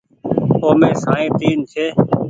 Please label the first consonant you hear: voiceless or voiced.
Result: voiced